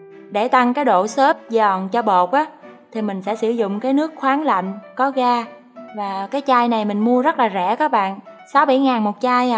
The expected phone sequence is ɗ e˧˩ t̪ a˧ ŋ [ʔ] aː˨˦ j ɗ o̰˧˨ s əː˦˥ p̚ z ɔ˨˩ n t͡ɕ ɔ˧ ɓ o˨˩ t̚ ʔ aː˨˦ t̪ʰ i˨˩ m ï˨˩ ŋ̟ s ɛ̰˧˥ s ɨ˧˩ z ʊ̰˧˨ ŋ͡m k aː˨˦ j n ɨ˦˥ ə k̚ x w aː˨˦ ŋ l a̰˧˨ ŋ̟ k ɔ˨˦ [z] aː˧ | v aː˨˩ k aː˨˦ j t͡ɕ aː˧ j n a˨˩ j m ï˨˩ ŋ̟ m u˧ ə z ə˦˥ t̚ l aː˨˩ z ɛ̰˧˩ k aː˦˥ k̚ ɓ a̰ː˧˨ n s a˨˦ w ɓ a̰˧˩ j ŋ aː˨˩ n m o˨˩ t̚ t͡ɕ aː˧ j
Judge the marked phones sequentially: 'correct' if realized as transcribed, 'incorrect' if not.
incorrect: k, incorrect: ɣ

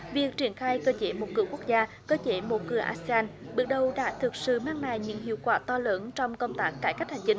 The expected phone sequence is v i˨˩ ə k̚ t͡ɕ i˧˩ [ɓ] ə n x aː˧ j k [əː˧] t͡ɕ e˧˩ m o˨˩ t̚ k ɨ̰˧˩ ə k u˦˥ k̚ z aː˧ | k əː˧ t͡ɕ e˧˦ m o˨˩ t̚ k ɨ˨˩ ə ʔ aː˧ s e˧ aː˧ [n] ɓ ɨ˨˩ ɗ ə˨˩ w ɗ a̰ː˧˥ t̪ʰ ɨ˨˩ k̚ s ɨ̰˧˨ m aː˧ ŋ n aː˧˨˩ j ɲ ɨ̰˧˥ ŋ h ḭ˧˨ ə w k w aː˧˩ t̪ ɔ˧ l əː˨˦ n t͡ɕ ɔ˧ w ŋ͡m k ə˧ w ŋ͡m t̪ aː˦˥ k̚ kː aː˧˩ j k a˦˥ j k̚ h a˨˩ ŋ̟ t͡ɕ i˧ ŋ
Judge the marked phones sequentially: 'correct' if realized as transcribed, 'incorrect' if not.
incorrect: none, correct, correct

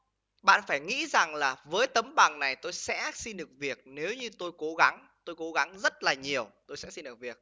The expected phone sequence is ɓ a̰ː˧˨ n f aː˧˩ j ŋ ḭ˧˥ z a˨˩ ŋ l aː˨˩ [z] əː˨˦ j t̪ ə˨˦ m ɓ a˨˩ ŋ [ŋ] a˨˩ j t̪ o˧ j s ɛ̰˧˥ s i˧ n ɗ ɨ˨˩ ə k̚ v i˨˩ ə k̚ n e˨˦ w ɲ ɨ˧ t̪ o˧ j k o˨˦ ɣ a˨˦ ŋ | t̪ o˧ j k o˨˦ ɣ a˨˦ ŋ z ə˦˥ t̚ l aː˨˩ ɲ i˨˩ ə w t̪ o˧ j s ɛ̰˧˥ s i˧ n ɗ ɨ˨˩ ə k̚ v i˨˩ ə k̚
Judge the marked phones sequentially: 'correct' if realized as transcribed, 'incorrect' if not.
incorrect: v, incorrect: n

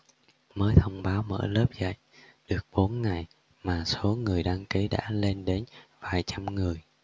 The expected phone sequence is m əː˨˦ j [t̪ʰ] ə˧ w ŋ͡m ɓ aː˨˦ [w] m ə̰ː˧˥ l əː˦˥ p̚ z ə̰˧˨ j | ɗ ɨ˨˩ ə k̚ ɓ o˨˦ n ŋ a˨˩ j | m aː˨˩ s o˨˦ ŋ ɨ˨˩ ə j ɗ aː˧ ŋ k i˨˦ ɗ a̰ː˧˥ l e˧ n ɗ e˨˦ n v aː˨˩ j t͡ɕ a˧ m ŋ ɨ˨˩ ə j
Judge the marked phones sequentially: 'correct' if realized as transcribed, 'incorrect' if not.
correct, correct

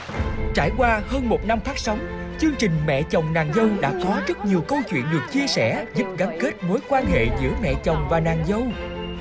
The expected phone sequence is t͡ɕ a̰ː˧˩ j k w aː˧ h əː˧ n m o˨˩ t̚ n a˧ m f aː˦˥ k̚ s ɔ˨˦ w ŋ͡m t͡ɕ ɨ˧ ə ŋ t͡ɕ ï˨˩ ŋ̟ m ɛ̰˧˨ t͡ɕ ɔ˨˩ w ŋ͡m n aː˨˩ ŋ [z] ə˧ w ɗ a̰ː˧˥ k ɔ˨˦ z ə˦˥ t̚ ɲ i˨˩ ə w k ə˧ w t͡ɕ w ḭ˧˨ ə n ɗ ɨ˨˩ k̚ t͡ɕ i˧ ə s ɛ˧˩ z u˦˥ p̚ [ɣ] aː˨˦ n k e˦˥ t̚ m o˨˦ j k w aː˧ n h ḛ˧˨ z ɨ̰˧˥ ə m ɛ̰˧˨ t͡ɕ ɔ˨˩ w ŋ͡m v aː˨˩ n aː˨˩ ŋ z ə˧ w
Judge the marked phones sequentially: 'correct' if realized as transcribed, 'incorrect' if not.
correct, correct

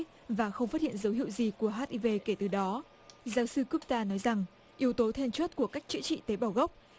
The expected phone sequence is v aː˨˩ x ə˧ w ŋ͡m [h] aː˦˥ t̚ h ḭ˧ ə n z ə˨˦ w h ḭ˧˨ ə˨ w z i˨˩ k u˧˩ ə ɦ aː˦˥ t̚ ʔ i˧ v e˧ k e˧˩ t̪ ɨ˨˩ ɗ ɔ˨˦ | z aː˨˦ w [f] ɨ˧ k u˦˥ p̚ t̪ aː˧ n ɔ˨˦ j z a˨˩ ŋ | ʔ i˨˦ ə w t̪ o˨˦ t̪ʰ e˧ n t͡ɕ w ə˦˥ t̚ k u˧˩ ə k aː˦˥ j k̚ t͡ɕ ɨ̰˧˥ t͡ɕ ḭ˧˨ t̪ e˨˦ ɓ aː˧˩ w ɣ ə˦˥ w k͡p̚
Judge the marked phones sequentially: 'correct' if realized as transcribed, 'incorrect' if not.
incorrect: f, incorrect: s

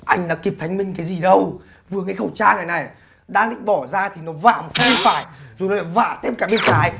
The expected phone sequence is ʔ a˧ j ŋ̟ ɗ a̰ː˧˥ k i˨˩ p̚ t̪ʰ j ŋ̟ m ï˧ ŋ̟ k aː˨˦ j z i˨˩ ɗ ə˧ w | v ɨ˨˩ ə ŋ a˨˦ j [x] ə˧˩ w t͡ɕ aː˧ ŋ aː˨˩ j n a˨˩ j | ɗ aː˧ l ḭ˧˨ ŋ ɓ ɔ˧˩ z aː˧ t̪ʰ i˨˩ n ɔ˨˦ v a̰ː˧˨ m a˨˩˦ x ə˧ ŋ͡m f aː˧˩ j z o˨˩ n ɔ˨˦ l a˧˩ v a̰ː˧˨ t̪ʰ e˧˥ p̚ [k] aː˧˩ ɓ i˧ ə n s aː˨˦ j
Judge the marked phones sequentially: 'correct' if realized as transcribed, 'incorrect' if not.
correct, correct

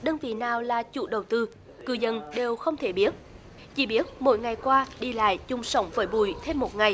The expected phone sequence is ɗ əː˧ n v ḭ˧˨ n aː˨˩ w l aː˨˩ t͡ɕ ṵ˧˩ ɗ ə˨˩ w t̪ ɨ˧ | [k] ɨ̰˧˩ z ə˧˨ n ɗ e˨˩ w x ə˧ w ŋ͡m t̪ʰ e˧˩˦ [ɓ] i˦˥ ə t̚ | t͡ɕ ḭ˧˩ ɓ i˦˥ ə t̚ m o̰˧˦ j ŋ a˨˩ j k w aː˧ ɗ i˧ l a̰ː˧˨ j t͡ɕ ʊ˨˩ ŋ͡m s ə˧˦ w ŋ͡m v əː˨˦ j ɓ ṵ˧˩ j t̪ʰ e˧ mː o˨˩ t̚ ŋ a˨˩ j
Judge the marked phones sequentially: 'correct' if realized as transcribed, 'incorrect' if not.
correct, correct

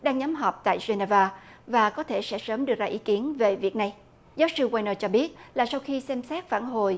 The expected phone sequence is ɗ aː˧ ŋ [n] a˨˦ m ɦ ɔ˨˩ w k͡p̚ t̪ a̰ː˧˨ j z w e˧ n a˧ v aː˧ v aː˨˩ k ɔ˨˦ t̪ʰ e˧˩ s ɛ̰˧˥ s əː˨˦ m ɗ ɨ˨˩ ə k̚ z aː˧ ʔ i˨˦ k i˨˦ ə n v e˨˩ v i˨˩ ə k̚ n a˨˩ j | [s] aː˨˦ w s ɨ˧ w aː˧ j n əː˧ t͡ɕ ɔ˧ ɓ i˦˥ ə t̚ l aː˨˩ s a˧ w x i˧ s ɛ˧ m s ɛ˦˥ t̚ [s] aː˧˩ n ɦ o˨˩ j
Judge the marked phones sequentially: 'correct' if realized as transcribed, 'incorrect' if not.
incorrect: ɲ, incorrect: z, incorrect: f

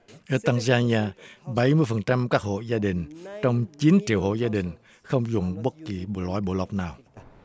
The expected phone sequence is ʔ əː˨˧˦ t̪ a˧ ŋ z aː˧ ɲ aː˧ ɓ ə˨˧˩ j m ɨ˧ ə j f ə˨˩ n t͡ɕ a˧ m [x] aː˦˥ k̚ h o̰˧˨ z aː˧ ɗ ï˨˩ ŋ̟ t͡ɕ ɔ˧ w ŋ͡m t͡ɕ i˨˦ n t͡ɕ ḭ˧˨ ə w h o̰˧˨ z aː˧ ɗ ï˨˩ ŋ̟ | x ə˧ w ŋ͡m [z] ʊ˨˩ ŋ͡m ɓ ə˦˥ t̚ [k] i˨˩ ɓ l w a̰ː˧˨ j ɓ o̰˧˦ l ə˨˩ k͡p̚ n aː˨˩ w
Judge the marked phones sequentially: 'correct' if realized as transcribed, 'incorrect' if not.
incorrect: k, correct, correct

